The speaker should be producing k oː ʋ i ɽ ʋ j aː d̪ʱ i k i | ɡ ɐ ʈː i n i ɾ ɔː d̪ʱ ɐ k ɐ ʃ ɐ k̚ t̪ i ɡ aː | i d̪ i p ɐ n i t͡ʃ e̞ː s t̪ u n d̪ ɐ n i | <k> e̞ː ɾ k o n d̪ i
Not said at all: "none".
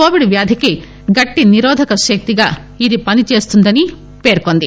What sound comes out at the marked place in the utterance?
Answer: p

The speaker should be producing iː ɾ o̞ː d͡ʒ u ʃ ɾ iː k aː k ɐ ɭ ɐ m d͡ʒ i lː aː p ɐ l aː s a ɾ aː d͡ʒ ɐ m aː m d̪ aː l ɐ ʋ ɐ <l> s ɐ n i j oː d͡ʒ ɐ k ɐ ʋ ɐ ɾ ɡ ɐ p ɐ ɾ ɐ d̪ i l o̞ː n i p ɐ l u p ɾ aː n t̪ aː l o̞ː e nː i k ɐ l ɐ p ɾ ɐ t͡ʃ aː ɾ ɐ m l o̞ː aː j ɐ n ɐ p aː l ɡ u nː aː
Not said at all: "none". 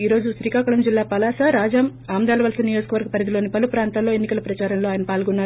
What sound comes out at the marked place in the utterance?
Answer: l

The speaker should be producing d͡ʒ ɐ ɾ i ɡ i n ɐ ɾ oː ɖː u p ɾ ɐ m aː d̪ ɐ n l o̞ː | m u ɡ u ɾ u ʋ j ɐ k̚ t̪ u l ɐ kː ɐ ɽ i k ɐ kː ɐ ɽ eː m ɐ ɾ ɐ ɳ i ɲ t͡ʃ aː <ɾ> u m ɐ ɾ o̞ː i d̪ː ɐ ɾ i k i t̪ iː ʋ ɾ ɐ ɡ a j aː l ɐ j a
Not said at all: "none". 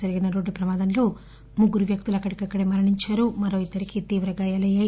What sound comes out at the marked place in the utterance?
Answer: ɾ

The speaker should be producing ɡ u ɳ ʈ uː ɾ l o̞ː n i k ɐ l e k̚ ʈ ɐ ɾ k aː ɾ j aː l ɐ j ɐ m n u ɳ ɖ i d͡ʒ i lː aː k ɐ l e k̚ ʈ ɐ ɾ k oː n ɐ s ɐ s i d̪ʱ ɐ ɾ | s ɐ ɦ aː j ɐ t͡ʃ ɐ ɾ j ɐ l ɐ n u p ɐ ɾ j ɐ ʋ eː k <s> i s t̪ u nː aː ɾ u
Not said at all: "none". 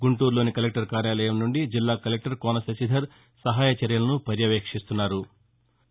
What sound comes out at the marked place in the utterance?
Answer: ʂ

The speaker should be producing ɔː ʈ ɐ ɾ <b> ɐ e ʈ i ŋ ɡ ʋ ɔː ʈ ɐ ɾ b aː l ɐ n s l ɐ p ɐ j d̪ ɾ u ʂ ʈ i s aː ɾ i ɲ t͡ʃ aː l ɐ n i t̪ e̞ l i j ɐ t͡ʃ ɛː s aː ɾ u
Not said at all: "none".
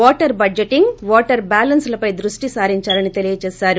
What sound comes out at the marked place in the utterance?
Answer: b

